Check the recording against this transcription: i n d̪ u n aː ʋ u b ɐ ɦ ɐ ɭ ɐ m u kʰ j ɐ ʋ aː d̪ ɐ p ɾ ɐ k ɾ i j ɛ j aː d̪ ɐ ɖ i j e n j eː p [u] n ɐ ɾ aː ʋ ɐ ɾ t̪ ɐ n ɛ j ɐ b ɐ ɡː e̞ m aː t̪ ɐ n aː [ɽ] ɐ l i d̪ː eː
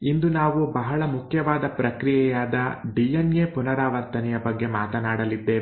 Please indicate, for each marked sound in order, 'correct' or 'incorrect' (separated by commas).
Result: correct, correct